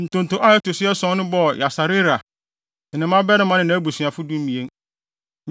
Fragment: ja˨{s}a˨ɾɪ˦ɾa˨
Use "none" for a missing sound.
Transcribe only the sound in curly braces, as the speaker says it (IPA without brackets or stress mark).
s